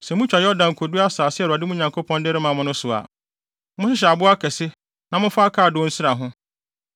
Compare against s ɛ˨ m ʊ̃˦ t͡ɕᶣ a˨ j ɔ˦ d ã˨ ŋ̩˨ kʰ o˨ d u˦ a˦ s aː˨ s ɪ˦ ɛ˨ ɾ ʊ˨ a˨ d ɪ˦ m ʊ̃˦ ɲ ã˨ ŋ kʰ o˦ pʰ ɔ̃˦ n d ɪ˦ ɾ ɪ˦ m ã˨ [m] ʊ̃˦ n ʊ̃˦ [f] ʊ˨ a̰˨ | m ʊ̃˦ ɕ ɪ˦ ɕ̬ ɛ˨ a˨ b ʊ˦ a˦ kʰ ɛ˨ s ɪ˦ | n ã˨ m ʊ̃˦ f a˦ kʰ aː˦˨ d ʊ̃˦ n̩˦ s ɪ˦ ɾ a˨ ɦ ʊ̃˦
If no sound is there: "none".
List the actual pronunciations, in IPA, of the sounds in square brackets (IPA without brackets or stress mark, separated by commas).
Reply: m, s